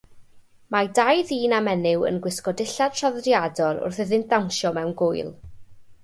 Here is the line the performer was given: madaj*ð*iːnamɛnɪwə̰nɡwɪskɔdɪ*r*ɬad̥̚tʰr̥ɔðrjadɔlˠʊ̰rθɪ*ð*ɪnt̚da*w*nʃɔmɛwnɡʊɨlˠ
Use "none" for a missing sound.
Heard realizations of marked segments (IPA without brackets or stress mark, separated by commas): ð, none, ð, w